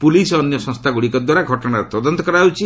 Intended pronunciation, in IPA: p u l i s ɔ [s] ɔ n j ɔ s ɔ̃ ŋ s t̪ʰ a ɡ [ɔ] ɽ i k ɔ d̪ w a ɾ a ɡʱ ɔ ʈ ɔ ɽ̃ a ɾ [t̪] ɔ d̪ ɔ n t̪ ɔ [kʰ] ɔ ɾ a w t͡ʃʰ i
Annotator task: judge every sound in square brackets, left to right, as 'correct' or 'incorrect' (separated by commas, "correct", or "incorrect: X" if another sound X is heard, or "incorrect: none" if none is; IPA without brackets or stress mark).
incorrect: none, incorrect: u, correct, incorrect: k